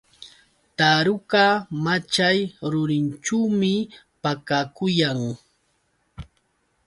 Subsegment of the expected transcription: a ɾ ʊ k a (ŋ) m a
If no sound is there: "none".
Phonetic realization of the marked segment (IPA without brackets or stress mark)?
none